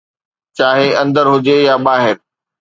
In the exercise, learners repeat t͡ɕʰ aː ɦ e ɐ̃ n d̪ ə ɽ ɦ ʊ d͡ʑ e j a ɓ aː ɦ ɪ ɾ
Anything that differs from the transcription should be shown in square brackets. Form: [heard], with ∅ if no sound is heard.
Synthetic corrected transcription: [t͡ɕ] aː ɦ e ɐ̃ n d̪ ə [ɾ] ɦ ʊ d͡ʑ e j a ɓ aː ɦ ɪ ɾ

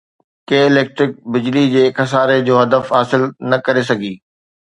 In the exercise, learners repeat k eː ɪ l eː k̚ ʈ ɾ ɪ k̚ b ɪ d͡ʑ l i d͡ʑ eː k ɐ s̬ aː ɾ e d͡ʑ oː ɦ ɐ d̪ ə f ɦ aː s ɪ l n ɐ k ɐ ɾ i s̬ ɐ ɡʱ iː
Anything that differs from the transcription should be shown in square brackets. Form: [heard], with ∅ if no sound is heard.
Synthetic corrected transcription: k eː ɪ l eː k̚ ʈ ɾ ɪ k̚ b ɪ d͡ʑ l i d͡ʑ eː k ɐ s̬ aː ɾ e d͡ʑ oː ɦ ɐ d̪ ə f ɦ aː s ɪ l n ɐ k ɐ ɾ [e] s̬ ɐ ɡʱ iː

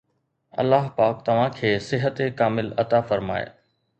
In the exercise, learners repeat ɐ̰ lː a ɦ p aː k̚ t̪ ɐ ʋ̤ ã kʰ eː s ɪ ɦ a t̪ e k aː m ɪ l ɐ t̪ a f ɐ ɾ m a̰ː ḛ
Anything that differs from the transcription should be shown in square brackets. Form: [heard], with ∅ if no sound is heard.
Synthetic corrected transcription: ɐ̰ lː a ɦ p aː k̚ t̪ ɐ ʋ̤ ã kʰ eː s ɪ ɦ [ə] t̪ e k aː m ɪ l ɐ t̪ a f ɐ ɾ m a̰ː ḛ

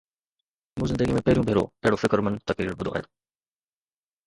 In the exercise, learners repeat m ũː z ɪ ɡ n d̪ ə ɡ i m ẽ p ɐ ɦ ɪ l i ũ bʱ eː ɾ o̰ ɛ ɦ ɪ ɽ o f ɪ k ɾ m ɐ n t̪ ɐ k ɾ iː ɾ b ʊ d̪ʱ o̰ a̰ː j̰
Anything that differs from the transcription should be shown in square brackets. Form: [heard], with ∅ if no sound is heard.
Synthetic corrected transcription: m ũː z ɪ [∅] n d̪ ə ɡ i m ẽ p ɐ ɦ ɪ [ɾ] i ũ bʱ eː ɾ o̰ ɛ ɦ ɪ ɽ o f ɪ k ɾ m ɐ n t̪ ɐ k ɾ iː ɾ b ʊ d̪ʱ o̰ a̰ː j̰

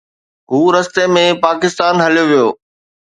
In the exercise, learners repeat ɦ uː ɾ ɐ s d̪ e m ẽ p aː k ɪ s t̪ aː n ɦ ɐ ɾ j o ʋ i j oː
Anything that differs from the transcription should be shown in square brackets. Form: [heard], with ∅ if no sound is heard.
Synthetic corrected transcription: ɦ uː ɾ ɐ s [t̪] e m ẽ p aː k ɪ s t̪ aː n ɦ ɐ [l] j o ʋ i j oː

